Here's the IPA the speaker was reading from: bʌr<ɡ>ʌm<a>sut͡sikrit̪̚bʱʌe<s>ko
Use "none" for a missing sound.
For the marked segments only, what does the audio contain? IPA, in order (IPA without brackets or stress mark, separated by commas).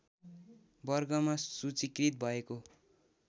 ɡ, a, none